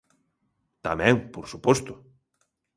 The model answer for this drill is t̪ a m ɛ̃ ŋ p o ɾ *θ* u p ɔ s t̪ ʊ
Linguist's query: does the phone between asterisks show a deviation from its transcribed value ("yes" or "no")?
yes